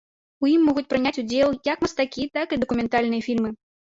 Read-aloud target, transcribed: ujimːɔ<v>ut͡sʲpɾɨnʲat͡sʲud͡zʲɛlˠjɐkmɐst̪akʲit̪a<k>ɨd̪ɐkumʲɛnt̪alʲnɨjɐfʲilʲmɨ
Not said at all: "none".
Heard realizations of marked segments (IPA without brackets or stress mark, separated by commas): ɣ, k